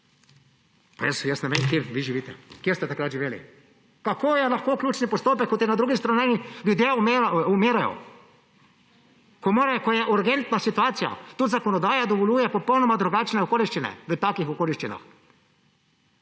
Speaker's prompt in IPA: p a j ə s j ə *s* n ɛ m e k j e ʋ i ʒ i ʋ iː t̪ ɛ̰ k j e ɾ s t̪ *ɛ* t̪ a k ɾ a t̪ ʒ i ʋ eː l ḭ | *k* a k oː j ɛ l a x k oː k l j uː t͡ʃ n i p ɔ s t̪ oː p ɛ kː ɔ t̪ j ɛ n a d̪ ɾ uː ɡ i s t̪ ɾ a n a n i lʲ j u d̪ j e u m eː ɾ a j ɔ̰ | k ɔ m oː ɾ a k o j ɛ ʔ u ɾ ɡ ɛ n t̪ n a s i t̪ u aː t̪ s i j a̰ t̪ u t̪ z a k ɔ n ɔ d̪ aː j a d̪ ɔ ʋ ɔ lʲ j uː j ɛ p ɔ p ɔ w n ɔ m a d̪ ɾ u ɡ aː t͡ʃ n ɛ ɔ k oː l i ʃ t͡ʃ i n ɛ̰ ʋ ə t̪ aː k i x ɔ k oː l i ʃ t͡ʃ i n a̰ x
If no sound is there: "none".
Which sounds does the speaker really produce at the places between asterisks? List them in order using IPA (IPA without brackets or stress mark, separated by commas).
s, ɛ, k